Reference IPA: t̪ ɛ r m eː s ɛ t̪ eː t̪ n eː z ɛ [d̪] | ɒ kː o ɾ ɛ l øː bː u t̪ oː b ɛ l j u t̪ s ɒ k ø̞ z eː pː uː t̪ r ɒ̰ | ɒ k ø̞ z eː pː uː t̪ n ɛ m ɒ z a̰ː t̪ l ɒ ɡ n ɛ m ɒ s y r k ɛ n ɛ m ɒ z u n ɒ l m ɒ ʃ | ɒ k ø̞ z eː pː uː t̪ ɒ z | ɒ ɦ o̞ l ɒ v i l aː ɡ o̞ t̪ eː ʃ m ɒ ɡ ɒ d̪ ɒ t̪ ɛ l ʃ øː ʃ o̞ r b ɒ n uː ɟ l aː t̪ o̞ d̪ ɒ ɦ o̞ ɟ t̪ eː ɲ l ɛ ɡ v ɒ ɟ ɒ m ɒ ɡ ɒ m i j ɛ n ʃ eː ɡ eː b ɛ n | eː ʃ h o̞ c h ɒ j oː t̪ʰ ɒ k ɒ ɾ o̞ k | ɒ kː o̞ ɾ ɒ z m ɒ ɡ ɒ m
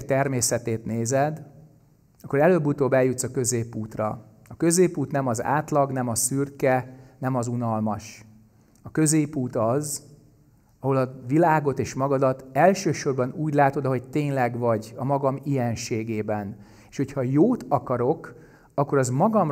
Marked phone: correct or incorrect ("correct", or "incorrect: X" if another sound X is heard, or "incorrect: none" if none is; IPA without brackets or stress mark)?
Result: correct